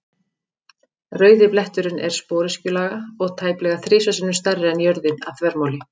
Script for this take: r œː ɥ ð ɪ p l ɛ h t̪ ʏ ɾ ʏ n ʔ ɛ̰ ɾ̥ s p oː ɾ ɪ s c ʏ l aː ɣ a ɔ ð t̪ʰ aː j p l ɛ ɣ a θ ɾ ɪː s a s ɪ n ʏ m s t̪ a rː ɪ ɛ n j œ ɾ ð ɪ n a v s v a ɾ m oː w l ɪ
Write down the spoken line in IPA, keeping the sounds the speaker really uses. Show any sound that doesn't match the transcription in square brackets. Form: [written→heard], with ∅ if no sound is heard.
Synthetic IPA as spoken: r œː ɥ ð ɪ p l ɛ h t̪ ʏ ɾ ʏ n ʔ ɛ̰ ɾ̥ s p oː ɾ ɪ s c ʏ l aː ɣ a ɔ [ð→ɣ] t̪ʰ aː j p l ɛ ɣ a θ ɾ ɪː s a s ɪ n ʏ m s t̪ a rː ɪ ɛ n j œ ɾ ð ɪ n a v [s→θ] v [a→ɛ] ɾ m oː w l ɪ